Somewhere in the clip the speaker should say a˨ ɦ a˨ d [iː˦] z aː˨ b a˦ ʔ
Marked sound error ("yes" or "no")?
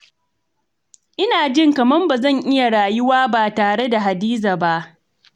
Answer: no